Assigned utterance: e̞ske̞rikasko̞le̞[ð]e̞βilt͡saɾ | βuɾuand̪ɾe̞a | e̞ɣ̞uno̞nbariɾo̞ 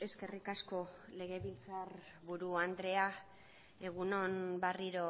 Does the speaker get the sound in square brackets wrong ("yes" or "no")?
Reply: yes